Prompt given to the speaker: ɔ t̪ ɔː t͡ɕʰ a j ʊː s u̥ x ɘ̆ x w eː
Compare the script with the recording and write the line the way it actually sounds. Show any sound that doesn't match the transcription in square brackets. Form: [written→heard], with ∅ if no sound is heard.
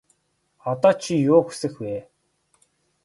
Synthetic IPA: ɔ t̪ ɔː t͡ɕʰ [a→i] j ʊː [s→x] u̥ [x→s] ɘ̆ x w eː